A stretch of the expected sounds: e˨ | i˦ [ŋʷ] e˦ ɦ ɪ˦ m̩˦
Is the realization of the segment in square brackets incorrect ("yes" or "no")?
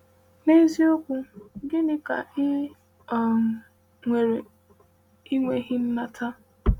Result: no